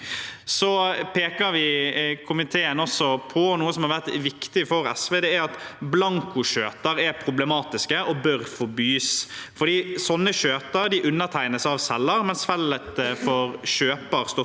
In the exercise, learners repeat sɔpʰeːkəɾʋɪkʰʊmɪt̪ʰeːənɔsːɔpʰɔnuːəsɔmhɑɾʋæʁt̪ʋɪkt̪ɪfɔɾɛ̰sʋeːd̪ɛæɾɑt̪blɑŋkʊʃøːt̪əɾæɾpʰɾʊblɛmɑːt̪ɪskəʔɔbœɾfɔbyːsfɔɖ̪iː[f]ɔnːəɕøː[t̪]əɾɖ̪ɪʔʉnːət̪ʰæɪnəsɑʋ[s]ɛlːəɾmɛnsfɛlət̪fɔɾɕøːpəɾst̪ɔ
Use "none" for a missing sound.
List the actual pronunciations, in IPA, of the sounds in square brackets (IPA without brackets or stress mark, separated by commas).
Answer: s, t̪, s